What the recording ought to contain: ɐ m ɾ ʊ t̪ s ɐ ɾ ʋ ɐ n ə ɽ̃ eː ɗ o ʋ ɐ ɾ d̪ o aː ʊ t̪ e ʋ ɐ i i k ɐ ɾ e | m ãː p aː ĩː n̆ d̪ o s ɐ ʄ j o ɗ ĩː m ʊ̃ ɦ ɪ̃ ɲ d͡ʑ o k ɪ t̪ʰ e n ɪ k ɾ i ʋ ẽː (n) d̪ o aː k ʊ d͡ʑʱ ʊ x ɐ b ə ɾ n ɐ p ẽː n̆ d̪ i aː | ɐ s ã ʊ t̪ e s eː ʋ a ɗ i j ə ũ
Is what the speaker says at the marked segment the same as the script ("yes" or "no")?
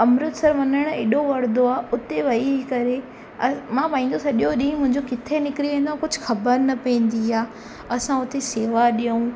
yes